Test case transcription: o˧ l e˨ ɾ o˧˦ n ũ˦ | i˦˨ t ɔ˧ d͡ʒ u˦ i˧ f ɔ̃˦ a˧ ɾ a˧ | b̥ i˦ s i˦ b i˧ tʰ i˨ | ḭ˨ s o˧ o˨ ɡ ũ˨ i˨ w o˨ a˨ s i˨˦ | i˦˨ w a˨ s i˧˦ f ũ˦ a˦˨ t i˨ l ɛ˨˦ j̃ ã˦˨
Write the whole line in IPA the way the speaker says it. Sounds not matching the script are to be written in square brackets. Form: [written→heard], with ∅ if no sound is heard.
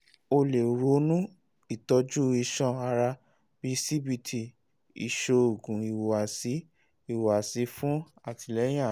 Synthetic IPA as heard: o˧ l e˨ ɾ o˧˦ n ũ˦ | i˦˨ t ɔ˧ d͡ʒ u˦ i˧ [f→ʃ] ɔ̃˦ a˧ ɾ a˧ | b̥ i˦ s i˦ b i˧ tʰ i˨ | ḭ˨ [s→ʃ] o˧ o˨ ɡ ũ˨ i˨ w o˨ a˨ s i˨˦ | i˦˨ w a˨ s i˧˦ f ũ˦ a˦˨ t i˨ l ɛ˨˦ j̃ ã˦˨

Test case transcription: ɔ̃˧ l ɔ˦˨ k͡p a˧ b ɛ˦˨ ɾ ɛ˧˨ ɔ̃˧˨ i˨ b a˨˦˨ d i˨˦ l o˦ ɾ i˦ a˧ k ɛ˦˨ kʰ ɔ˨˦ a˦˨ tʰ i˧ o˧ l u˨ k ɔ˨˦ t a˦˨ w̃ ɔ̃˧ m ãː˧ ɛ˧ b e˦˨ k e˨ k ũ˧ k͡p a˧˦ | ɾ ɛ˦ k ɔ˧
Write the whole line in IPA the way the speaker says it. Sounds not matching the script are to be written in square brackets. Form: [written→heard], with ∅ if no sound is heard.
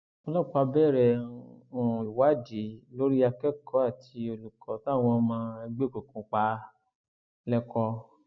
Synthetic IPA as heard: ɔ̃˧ l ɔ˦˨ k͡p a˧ b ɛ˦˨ ɾ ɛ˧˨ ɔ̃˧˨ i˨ [b→w] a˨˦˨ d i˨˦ l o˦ ɾ i˦ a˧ k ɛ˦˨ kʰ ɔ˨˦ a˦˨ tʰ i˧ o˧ l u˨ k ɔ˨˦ t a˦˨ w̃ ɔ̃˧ m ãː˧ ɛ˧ [b→ɡ͡b] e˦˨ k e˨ k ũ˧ k͡p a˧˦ | [ɾ→l] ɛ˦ k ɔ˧

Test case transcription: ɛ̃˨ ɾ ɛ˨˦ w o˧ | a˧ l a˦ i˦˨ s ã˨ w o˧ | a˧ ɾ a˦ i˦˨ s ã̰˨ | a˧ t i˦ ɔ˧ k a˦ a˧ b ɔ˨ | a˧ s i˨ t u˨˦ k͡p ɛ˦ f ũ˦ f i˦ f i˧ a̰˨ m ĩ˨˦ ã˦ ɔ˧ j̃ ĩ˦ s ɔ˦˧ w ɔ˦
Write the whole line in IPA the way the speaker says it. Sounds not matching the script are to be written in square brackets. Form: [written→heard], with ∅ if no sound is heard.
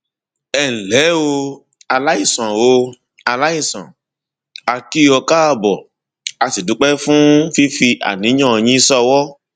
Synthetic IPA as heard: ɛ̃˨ [ɾ→l] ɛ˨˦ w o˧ | a˧ l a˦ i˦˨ s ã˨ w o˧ | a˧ [ɾ→l] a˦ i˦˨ s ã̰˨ | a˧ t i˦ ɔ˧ k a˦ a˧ b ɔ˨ | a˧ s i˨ [t→d] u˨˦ k͡p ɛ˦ f ũ˦ f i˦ f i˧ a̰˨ [m→n] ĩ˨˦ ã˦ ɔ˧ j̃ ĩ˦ s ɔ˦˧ w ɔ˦

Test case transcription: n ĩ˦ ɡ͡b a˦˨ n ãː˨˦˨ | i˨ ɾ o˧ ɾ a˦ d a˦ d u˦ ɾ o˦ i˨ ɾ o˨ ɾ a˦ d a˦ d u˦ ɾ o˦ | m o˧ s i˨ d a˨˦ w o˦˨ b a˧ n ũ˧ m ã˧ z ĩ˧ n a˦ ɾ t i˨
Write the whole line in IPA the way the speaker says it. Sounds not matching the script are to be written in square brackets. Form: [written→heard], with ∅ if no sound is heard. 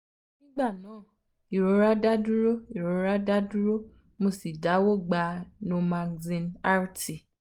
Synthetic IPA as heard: n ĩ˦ ɡ͡b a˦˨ n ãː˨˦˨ | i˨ ɾ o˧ ɾ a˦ d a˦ d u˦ ɾ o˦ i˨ ɾ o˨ ɾ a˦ d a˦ d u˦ ɾ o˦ | m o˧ s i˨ d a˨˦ w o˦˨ [b→ɡ͡b] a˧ n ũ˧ m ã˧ z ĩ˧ n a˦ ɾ t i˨

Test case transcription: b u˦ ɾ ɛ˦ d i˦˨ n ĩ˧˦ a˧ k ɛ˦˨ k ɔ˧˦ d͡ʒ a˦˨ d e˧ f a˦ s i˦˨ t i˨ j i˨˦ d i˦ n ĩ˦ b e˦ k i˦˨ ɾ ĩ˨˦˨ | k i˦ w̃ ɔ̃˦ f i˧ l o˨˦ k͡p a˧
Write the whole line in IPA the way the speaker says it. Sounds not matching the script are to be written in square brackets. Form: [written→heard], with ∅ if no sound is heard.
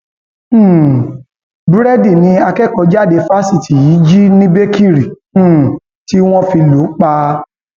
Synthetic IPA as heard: b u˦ ɾ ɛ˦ d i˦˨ n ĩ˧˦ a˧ k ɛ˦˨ k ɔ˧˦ d͡ʒ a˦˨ d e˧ f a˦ s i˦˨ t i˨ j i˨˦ [d→d͡ʒ] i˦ n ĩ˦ b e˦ k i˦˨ ɾ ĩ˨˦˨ | [k→t] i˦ w̃ ɔ̃˦ f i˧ l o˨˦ k͡p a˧

